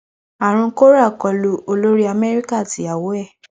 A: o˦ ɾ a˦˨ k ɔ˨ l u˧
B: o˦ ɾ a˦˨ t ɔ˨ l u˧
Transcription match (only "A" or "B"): A